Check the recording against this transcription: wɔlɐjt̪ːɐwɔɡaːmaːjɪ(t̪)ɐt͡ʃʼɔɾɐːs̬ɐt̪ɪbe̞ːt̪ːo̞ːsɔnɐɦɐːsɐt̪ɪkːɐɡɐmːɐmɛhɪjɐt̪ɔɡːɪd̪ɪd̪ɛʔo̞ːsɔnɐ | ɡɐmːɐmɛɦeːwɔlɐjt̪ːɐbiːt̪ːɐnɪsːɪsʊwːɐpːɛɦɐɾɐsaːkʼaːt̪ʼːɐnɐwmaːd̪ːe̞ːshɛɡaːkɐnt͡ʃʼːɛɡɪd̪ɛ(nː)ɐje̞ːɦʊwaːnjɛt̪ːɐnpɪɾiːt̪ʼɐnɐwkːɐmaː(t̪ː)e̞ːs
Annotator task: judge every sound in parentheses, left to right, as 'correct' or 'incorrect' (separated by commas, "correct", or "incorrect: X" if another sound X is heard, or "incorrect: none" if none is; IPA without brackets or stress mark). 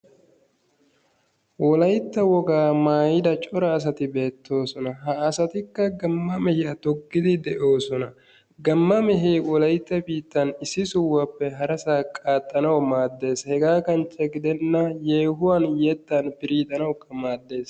incorrect: d̪, correct, incorrect: d̪ː